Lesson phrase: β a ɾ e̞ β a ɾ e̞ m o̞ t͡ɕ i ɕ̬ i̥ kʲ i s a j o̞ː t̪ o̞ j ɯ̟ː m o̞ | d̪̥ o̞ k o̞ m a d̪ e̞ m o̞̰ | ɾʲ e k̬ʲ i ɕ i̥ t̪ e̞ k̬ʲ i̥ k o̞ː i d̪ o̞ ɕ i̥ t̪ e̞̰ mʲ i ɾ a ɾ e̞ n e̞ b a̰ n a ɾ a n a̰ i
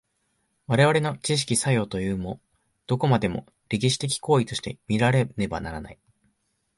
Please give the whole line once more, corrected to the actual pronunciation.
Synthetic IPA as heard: β a ɾ e̞ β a ɾ e̞ n o̞ t͡ɕ i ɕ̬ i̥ kʲ i s a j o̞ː t̪ o̞ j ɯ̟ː m o̞ | d̪̥ o̞ k o̞ m a d̪ e̞ m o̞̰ | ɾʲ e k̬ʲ i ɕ i̥ t̪ e̞ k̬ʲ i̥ k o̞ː i t̪ o̞ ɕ i̥ t̪ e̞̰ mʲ i ɾ a ɾ e̞ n e̞ b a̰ n a ɾ a n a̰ i

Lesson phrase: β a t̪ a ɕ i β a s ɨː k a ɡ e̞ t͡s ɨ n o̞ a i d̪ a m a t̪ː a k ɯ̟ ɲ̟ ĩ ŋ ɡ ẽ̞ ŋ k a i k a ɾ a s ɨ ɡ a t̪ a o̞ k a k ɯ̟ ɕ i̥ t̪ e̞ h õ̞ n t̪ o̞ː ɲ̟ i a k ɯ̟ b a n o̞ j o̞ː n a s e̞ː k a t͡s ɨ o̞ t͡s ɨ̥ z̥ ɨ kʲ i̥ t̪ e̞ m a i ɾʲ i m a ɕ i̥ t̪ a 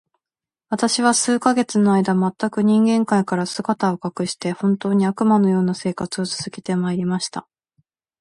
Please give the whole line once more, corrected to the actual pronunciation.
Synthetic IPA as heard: β a t̪ a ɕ i β a s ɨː k a ɡ e̞ t͡s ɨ n o̞ a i d̪ a m a t̪ː a k ɯ̟ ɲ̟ ĩ ŋ ɡ ẽ̞ ŋ k a i k a ɾ a s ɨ ɡ a t̪ a o̞ k a k ɯ̟ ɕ i̥ t̪ e̞ h õ̞ n t̪ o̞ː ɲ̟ i a k ɯ̟ m a n o̞ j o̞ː n a s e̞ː k a t͡s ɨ o̞ t͡s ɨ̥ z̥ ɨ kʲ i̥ t̪ e̞ m a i ɾʲ i m a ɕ i̥ t̪ a

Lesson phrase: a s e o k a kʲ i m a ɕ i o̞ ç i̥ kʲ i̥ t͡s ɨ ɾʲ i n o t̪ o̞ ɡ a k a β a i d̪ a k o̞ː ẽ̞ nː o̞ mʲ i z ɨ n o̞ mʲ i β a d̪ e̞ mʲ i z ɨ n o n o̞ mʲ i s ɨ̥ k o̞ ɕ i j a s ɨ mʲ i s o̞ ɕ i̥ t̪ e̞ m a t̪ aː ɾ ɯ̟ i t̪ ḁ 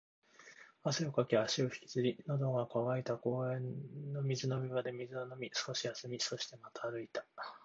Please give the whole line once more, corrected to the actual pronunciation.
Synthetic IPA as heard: a s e o k a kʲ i a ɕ i o̞ ç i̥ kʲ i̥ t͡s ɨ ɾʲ i n o d̪ o̞ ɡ a k a β a i t̪ a k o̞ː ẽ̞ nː o̞ mʲ i z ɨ n o̞ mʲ i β a d̪ e̞ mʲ i z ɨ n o n o̞ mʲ i s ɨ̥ k o̞ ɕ i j a s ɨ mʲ i s o̞ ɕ i̥ t̪ e̞ m a t̪ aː ɾ ɯ̟ i t̪ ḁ

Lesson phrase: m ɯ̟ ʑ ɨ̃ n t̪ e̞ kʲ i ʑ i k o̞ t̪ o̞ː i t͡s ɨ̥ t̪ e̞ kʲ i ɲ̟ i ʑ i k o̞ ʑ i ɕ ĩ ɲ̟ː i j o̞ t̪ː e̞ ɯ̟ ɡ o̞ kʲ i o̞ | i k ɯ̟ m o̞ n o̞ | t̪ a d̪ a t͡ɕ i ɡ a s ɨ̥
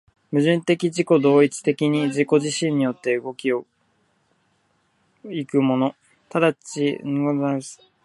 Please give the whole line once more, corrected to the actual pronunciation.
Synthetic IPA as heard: m ɯ̟ ʑ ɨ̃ n t̪ e̞ kʲ i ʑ i k o̞ d̪ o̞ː i t͡s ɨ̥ t̪ e̞ kʲ i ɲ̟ i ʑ i k o̞ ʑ i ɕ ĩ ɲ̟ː i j o̞ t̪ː e̞ ɯ̟ ɡ o̞ kʲ i o̞ | i k ɯ̟ m o̞ n o̞ | t̪ a d̪ a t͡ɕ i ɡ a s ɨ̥

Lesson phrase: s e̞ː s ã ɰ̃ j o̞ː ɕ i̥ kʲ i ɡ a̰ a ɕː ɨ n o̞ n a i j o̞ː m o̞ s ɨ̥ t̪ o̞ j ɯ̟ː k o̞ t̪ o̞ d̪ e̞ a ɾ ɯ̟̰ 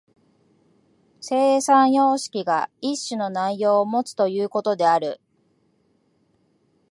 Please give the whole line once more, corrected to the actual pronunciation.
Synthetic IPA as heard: s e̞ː s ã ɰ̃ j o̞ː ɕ i̥ kʲ i ɡ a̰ i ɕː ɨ n o̞ n a i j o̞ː m o̞ t͡s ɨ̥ t̪ o̞ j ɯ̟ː k o̞ t̪ o̞ d̪ e̞ a ɾ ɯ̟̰

